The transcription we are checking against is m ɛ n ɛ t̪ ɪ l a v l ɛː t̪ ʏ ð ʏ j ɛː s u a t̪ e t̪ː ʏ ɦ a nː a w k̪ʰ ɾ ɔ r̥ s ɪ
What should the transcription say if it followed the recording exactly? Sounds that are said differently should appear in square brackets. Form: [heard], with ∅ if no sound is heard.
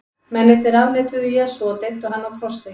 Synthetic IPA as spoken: m ɛ n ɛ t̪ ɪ [ɾ] a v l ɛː t̪ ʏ ð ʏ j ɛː s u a t̪ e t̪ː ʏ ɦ a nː a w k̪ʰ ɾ ɔ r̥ s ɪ